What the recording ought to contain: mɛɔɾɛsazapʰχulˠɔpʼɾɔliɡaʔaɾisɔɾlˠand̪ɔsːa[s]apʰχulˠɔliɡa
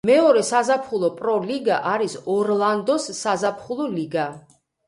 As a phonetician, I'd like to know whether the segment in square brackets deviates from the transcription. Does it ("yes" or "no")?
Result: yes